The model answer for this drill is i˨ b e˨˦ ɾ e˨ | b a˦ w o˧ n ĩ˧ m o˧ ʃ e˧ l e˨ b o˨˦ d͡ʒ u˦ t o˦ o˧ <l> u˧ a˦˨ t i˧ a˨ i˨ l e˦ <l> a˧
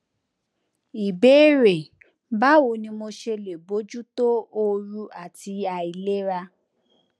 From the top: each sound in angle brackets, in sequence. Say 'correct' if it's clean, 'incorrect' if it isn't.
incorrect, incorrect

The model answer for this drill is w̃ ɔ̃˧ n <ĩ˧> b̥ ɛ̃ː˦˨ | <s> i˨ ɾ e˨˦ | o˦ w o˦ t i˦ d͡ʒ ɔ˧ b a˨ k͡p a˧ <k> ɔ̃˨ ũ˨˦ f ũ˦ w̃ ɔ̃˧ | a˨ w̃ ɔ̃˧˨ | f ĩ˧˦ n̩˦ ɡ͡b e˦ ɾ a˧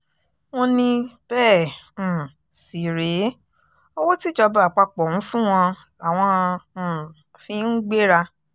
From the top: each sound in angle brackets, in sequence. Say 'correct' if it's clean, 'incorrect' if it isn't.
correct, correct, incorrect

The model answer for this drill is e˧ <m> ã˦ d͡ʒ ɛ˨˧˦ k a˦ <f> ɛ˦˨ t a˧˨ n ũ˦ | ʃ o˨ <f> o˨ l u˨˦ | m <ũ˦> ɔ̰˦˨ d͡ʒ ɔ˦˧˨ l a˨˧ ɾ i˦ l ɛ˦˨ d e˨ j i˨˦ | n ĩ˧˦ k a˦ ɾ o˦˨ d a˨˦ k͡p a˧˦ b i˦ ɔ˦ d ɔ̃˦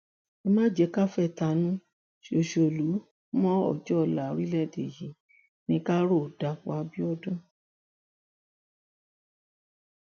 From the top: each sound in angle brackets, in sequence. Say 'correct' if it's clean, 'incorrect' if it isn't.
correct, correct, incorrect, incorrect

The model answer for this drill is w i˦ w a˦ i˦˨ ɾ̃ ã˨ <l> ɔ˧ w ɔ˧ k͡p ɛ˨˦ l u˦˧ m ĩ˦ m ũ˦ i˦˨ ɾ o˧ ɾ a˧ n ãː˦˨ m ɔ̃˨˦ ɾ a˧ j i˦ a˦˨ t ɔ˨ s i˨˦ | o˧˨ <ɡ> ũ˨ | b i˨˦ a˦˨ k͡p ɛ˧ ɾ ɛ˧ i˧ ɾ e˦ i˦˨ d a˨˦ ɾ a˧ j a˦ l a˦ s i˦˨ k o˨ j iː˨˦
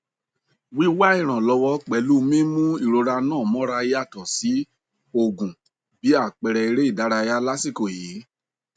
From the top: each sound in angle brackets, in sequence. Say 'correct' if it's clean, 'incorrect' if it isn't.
correct, correct

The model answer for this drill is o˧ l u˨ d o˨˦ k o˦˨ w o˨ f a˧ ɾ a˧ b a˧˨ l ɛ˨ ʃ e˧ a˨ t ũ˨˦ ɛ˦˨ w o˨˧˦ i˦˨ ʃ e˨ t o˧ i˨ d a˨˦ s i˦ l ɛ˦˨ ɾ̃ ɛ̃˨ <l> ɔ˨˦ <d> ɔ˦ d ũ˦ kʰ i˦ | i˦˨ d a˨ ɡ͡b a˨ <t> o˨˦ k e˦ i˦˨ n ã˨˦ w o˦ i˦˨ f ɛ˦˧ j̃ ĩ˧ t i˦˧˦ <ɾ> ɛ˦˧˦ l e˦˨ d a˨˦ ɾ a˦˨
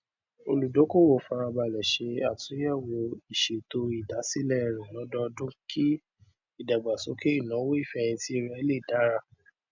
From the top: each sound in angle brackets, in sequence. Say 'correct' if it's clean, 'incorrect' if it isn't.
correct, correct, incorrect, correct

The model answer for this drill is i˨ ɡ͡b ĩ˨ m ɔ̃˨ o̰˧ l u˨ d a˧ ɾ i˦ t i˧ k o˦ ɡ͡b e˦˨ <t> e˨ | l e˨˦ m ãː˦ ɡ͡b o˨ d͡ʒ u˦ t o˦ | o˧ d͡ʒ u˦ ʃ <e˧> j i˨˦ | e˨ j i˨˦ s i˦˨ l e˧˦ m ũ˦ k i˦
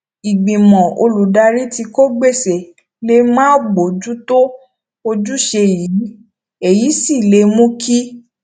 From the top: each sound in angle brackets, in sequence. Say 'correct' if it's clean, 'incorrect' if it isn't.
incorrect, correct

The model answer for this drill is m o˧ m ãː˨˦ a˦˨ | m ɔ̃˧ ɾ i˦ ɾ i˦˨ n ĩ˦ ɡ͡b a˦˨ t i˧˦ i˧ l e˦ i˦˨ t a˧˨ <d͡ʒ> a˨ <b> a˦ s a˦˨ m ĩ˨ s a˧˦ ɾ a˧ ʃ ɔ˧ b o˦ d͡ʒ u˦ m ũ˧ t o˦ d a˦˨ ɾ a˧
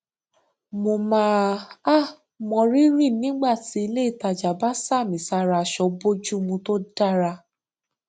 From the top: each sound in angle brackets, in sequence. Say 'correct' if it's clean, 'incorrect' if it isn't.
correct, correct

